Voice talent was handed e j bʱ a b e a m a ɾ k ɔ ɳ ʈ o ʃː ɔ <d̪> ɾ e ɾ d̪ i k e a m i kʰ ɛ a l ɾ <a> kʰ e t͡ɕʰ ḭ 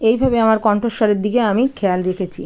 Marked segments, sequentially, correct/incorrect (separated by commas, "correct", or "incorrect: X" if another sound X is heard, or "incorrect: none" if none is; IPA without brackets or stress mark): incorrect: none, incorrect: e